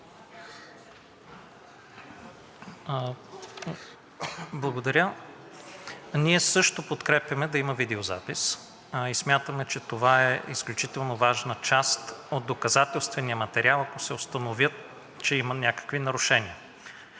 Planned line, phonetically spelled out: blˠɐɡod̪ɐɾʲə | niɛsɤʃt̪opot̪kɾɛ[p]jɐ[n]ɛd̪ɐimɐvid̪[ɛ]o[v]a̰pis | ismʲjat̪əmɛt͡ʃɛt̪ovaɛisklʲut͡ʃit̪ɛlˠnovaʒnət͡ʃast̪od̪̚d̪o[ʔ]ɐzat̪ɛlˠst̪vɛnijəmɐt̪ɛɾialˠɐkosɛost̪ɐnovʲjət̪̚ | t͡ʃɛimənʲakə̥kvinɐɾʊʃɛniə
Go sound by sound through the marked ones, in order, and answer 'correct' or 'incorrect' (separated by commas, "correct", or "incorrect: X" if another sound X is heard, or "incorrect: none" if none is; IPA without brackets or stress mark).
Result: correct, incorrect: m, correct, incorrect: z, incorrect: k